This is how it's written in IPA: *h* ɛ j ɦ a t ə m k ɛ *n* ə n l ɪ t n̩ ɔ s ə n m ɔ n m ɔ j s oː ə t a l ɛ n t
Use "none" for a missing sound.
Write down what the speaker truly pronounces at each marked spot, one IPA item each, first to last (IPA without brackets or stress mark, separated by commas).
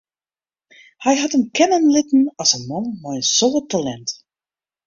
h, n